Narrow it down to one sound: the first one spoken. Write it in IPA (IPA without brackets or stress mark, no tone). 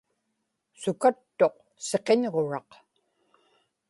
s